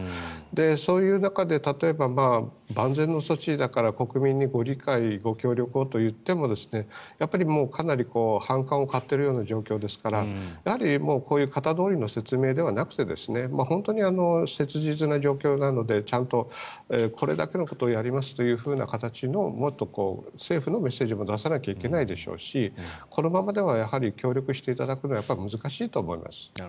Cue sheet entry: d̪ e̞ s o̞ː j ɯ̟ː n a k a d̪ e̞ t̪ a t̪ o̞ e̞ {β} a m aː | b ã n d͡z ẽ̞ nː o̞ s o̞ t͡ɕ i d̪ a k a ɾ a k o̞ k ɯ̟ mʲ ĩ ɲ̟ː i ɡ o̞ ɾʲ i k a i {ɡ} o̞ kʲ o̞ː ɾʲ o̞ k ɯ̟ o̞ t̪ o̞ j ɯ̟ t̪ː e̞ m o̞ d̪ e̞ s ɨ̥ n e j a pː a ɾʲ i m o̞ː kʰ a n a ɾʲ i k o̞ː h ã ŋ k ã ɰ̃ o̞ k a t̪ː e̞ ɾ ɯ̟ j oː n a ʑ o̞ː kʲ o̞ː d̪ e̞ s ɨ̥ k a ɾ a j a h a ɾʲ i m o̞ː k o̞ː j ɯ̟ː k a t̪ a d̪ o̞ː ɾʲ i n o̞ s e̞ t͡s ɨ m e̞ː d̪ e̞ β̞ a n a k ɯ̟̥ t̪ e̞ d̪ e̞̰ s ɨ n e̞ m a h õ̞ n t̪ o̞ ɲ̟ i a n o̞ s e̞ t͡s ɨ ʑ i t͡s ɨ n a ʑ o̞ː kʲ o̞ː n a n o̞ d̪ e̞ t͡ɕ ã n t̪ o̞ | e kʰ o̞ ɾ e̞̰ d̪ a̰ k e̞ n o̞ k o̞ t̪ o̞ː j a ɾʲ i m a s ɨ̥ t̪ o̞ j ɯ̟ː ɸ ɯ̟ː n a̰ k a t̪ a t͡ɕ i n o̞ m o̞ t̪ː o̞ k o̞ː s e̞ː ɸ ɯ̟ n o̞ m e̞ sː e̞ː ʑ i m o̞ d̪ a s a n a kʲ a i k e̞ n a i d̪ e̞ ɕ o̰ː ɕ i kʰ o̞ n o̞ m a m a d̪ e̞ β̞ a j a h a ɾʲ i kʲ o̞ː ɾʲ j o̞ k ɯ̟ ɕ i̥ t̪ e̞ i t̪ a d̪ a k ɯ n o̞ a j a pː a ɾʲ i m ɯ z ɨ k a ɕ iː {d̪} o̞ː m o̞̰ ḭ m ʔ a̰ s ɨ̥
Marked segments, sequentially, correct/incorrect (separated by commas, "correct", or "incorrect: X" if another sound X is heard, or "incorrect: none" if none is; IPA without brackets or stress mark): incorrect: b, correct, incorrect: t̪